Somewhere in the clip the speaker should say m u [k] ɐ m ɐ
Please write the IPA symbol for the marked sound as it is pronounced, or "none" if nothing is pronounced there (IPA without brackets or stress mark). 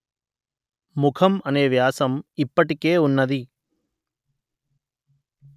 kʰ